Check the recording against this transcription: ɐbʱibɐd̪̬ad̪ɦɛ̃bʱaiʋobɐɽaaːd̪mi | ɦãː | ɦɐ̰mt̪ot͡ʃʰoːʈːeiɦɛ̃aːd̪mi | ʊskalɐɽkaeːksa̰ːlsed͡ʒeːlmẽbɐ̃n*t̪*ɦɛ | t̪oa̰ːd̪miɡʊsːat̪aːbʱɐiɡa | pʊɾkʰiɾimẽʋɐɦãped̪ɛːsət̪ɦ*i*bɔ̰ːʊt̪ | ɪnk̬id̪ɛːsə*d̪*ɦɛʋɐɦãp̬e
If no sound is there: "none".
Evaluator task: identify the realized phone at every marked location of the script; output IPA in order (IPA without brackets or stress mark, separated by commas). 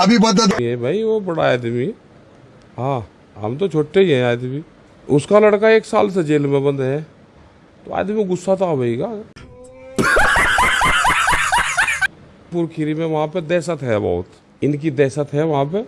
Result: d̪, ɛ, t̪